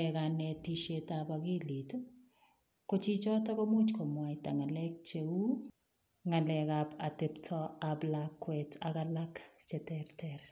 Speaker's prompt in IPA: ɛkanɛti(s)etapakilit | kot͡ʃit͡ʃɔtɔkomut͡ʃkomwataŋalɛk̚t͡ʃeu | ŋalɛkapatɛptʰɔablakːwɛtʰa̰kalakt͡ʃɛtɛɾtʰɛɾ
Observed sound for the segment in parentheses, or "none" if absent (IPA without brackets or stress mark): ʃ